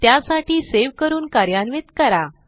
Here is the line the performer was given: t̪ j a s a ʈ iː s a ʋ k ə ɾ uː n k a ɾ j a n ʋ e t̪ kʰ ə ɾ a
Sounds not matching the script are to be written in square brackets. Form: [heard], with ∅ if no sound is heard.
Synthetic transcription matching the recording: t̪ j a s a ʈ iː s [e] ʋ k ə ɾ uː n k a ɾ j a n ʋ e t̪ [k] ə ɾ a

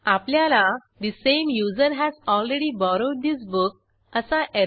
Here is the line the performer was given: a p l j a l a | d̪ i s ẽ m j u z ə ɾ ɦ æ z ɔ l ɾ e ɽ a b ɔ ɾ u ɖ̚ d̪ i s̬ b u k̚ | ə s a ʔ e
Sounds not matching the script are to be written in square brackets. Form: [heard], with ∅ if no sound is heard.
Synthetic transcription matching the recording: a p l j a l a | d̪ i s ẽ m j u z ə ɾ ɦ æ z ɔ l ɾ e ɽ [i] b ɔ ɾ [o] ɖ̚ d̪ i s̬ b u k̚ | ə s a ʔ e

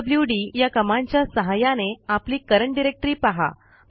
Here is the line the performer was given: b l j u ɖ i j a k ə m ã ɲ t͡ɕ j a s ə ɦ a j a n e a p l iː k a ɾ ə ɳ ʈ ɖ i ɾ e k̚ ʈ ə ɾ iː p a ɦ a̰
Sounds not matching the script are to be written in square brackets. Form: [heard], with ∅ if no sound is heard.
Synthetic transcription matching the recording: b l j u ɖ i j a k ə m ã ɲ t͡ɕ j a s ə ɦ a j a n e a p l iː k [ə] ɾ ə ɳ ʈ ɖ i ɾ e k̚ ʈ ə ɾ iː p a ɦ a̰

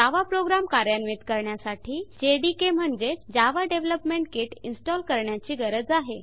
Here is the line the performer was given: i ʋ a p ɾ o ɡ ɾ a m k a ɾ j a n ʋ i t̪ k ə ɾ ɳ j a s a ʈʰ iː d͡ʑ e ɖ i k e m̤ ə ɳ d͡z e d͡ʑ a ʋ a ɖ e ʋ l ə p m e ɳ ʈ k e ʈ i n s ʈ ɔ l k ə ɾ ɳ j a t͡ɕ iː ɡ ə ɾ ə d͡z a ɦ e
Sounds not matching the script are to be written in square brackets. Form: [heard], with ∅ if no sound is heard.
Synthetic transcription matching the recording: [a] ʋ a p ɾ o ɡ ɾ a m k a ɾ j a n ʋ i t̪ k ə ɾ ɳ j a s a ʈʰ iː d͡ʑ e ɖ i k e m̤ ə ɳ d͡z e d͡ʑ a ʋ a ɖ e ʋ l ə p m e ɳ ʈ k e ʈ i n s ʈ ɔ l k ə ɾ ɳ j a t͡ɕ iː ɡ ə ɾ ə d͡z a ɦ e

